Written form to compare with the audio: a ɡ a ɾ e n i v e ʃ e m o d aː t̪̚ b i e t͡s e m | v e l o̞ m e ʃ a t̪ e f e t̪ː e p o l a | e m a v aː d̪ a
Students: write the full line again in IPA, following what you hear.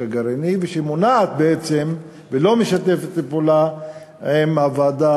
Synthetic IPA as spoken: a ɡ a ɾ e n i v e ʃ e m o n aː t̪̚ b e e t͡s e m | v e l o̞ m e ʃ a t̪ e f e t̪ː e p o l a | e m a v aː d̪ a